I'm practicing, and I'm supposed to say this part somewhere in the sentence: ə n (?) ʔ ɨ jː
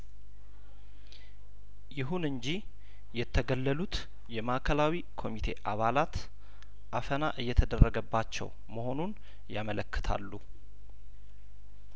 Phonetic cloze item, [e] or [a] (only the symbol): a